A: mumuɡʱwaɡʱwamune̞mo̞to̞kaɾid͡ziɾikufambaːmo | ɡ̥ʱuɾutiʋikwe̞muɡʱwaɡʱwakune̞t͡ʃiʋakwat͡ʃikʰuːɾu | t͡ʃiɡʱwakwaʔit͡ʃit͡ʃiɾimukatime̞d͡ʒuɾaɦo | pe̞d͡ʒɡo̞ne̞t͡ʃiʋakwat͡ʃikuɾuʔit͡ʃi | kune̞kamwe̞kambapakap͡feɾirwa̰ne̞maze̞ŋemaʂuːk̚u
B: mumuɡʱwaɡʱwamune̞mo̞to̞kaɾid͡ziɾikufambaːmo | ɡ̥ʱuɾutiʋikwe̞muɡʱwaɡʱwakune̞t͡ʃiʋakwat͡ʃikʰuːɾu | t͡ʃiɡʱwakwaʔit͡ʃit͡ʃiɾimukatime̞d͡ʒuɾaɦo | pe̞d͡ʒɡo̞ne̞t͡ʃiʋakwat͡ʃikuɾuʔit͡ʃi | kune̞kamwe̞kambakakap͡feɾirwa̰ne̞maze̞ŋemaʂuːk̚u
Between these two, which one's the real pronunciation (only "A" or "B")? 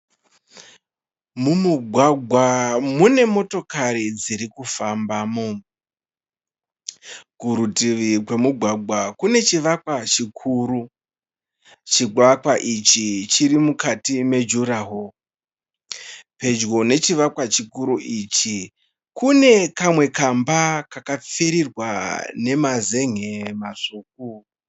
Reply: B